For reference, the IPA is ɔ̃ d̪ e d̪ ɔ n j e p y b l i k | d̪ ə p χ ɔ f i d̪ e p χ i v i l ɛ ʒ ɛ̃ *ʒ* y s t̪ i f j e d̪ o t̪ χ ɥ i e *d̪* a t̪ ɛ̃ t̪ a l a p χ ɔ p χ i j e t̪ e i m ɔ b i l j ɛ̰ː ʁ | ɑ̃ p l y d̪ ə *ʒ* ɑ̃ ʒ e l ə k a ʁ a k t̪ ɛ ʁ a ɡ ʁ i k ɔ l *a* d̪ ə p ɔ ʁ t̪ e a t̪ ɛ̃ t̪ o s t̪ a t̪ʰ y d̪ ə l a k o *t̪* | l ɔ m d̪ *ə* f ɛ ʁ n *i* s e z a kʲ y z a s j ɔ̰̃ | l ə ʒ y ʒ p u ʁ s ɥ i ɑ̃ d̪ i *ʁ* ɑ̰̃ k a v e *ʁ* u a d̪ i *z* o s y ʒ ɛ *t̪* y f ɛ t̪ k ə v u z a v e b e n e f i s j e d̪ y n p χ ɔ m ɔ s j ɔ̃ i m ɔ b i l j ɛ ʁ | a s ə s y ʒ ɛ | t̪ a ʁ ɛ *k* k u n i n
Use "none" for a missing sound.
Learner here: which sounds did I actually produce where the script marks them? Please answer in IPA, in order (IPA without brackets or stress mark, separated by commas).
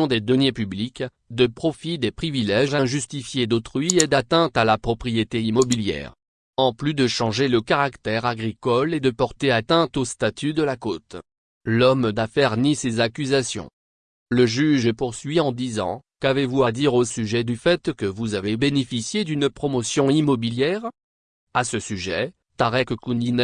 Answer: ʒ, d̪, ʃ, e, t̪, a, i, z, v, ʁ, d̪, k